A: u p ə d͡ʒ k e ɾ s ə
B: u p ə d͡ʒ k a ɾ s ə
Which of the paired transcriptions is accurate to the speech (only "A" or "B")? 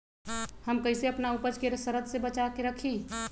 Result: A